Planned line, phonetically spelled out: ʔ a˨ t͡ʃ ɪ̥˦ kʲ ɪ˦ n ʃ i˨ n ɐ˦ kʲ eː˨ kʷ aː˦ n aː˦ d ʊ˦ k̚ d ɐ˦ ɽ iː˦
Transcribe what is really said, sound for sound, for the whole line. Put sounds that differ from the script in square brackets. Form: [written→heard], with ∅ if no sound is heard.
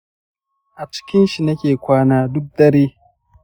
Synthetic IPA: ʔ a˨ t͡ʃ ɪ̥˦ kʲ ɪ˦ n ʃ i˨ n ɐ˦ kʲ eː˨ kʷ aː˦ n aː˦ d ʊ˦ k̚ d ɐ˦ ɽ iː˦